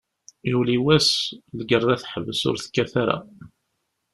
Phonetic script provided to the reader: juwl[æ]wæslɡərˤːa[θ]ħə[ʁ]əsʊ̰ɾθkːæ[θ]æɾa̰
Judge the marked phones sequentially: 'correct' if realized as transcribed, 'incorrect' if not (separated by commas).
incorrect, correct, incorrect, correct